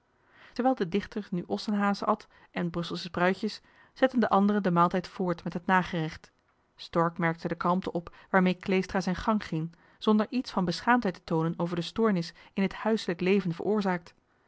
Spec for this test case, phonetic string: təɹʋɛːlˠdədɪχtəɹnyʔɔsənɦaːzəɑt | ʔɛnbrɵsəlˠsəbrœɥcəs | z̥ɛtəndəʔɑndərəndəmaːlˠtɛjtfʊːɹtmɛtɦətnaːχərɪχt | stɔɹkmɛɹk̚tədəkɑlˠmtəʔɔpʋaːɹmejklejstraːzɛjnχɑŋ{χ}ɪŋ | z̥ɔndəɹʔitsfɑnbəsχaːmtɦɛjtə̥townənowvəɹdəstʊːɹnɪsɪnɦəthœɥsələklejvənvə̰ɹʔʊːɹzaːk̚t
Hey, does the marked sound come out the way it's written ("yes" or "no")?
yes